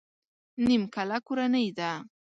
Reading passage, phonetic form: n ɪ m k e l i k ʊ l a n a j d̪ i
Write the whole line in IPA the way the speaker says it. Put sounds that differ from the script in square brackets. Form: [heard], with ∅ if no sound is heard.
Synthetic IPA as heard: n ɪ m k [a] l [a] k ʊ [ɾ] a n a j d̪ [a]